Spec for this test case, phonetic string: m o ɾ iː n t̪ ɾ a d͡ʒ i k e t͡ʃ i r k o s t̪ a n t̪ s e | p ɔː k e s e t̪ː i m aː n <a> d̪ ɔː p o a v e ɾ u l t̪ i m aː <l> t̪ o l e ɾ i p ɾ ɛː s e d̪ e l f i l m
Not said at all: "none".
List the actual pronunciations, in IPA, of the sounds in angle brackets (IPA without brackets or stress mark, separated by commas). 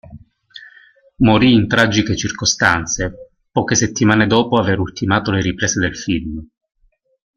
e, none